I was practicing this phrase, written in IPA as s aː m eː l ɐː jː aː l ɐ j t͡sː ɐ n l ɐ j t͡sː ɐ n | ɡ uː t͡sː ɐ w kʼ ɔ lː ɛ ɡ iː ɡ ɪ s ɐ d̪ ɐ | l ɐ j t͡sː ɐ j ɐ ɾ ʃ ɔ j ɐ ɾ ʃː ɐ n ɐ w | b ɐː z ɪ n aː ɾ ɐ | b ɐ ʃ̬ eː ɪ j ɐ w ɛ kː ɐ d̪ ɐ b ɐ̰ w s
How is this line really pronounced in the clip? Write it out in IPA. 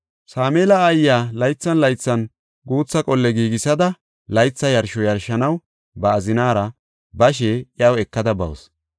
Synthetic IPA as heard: s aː m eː l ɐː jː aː l ɐ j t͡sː ɐ n l ɐ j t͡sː ɐ n | ɡ uː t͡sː ɐ kʼ ɔ lː ɛ ɡ iː ɡ ɪ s ɐ d̪ ɐ | l ɐ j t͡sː ɐ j ɐ ɾ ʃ ɔ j ɐ ɾ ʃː ɐ n ɐ w | b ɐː z ɪ n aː ɾ ɐ | b ɐ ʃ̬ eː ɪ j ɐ w ɛ kː ɐ d̪ ɐ b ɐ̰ w s

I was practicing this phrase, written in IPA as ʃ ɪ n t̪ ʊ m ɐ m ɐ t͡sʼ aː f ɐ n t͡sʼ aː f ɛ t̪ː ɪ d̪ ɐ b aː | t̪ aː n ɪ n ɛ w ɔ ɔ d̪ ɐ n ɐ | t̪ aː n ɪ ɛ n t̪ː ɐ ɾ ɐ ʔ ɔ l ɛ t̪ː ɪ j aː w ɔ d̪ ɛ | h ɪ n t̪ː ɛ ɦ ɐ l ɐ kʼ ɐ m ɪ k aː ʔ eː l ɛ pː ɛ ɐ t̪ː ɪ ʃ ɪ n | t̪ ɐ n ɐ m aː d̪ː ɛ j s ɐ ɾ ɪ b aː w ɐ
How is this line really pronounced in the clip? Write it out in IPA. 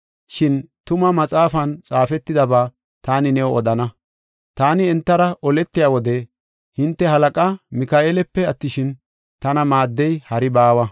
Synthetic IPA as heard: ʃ ɪ n t̪ ʊ m ɐ m ɐ t͡sʼ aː f ɐ n t͡sʼ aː f ɛ t̪ː ɪ d̪ ɐ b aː | t̪ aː n ɪ n ɛ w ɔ ɔ d̪ ɐ n ɐ | t̪ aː n ɪ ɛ n t̪ː ɐ ɾ ɐ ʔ ɔ l ɛ t̪ː ɪ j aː w ɔ d̪ ɛ | h ɪ n t̪ː ɛ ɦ ɐ l ɐ kʼ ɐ m ɪ k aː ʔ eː l ɛ pː ɛ ɐ t̪ː ɪ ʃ ɪ n | t̪ ɐ n ɐ m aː d̪ː ɛ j h ɐ ɾ ɪ b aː w ɐ

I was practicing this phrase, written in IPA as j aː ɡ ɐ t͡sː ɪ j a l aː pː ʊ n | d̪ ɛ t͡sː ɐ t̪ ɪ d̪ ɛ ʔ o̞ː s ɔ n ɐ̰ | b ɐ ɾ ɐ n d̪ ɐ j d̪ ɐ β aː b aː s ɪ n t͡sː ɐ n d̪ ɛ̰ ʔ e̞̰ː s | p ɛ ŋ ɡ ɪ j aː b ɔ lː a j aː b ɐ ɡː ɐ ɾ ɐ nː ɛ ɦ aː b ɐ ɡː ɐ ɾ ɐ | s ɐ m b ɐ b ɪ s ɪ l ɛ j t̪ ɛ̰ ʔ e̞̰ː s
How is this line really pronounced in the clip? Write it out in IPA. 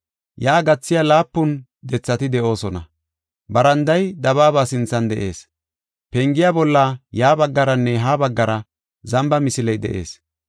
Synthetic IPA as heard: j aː ɡ ɐ t͡sː ɪ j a l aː pː ʊ n | d̪ ɛ t͡sː ɐ t̪ ɪ d̪ ɛ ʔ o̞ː s ɔ n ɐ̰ | b ɐ ɾ ɐ n d̪ ɐ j d̪ ɐ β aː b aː s ɪ n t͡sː ɐ n d̪ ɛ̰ ʔ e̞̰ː s | p ɛ ŋ ɡ ɪ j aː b ɔ lː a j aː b ɐ ɡː ɐ ɾ ɐ nː ɛ ɦ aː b ɐ ɡː ɐ ɾ ɐ | z ɐ m b ɐ m ɪ s ɪ l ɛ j d̪ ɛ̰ ʔ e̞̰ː s

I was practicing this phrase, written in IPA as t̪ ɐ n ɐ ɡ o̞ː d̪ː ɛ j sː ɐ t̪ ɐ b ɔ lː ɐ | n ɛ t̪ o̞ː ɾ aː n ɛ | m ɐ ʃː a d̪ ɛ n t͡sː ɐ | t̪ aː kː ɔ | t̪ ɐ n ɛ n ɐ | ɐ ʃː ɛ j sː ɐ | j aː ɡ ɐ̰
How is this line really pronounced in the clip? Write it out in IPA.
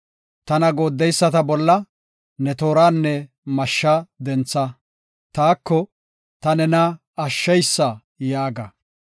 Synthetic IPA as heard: t̪ ɐ n ɐ ɡ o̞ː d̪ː ɛ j sː ɐ t̪ ɐ b ɔ lː ɐ | n ɛ t̪ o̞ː ɾ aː nː ɛ | m ɐ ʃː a d̪ ɛ n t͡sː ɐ | t̪ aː kː ɔ | t̪ ɐ n ɛ n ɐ | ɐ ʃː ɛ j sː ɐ | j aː ɡ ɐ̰

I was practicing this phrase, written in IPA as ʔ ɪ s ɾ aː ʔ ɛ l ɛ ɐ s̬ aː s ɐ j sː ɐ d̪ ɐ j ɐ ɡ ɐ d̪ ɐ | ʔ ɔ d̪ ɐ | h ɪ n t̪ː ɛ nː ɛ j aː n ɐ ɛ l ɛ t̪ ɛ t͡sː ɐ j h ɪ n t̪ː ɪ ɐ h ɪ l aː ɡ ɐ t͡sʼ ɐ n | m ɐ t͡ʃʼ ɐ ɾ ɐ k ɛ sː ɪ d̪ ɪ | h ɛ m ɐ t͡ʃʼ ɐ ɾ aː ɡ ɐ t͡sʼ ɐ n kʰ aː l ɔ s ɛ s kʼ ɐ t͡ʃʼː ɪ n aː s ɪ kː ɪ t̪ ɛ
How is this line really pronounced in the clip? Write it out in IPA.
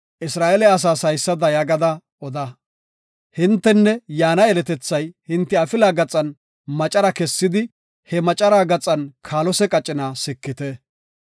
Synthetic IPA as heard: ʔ ɪ s ɾ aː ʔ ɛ l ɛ ɐ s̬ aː s ɐ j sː ɐ d̪ ɐ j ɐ ɡ ɐ d̪ ɐ | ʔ ɔ d̪ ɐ | h ɪ n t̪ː ɛ nː ɛ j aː n ɐ ɛ l ɛ t̪ ɛ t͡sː ɐ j h ɪ n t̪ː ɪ ɐ f ɪ l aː ɡ ɐ t͡sʼ ɐ n | m ɐ t͡ʃʼ ɐ ɾ ɐ k ɛ sː ɪ d̪ ɪ | h ɛ m ɐ t͡ʃʼ ɐ ɾ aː ɡ ɐ t͡sʼ ɐ n kʰ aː l ɔ s ɛ kʼ ɐ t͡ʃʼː ɪ n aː s ɪ kː ɪ t̪ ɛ

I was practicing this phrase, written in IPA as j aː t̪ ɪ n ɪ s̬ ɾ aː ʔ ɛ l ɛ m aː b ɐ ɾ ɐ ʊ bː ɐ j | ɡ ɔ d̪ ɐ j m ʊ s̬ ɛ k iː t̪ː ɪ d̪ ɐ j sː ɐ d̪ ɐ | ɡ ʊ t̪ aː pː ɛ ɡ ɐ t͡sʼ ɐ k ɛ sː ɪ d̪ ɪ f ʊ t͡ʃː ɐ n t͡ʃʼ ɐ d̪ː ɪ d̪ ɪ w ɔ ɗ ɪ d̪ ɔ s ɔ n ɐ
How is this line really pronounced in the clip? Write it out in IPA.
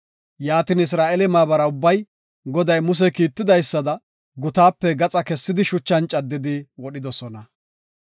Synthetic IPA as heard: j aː t̪ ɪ n ɪ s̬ ɾ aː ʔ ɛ l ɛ m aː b ɐ ɾ ɐ ʊ bː ɐ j | ɡ ɔ d̪ ɐ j m ʊ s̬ ɛ k iː t̪ː ɪ d̪ ɐ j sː ɐ d̪ ɐ | ɡ ʊ t̪ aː pː ɛ ɡ ɐ t͡sʼ ɐ k ɛ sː ɪ d̪ ɪ ʃ ʊ t͡ʃː ɐ n t͡ʃʼ ɐ d̪ː ɪ d̪ ɪ w ɔ ɗ ɪ d̪ ɔ s ɔ n ɐ

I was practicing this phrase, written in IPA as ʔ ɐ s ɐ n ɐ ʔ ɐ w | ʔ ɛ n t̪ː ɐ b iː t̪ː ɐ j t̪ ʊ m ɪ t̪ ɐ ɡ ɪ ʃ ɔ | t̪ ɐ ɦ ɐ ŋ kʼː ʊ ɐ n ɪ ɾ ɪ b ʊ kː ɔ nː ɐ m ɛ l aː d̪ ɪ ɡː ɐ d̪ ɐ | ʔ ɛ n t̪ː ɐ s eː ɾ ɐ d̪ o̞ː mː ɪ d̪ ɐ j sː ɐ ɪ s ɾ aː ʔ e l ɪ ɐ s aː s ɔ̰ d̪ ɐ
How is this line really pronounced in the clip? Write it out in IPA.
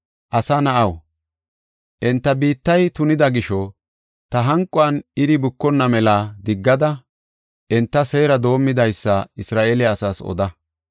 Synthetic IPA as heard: ʔ ɐ s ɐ n ɐ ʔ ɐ w | ʔ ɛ n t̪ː ɐ b iː t̪ː ɐ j t̪ ʊ n ɪ d̪ ɐ ɡ ɪ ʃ ɔ | t̪ ɐ ɦ ɐ ŋ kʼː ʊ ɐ n ɪ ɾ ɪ b ʊ kː ɔ nː ɐ m ɛ l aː d̪ ɪ ɡː ɐ d̪ ɐ | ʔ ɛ n t̪ː ɐ s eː ɾ ɐ d̪ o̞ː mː ɪ d̪ ɐ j sː ɐ ɪ s ɾ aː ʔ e l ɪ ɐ s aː s ɔ̰ d̪ ɐ

